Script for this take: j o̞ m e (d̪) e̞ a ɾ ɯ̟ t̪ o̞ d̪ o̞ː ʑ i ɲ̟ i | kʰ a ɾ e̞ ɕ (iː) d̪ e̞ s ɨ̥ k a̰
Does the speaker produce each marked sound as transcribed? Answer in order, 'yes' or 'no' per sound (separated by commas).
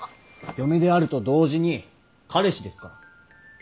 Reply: yes, no